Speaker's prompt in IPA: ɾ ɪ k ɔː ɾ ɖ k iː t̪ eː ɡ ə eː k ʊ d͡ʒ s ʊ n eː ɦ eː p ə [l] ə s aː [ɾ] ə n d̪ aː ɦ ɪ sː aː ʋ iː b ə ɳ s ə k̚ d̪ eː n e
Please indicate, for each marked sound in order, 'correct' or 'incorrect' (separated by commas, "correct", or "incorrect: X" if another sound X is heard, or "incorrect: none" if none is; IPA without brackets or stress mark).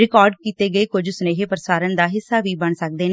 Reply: incorrect: ɾ, correct